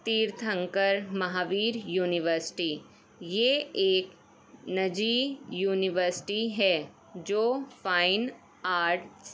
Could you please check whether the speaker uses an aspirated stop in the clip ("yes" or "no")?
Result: yes